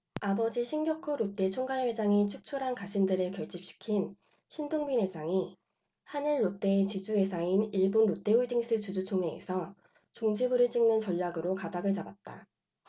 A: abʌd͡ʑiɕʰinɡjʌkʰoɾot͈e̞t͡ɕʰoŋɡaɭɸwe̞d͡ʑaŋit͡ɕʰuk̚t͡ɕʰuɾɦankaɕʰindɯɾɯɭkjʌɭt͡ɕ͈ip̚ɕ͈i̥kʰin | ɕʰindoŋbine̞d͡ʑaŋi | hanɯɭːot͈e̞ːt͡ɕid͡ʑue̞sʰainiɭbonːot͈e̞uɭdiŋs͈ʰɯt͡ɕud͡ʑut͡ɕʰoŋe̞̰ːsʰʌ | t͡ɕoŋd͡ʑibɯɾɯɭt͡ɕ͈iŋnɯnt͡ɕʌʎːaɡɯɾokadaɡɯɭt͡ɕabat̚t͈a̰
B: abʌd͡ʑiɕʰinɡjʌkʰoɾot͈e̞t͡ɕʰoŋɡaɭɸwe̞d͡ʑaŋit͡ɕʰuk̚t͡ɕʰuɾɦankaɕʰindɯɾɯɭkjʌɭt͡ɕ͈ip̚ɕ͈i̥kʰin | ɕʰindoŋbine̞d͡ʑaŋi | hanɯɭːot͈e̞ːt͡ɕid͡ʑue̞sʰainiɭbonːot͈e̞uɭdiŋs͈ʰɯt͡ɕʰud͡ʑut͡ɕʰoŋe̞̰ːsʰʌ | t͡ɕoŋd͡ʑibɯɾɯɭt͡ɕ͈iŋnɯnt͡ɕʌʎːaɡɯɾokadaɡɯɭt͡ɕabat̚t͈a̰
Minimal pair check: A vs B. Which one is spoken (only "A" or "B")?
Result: A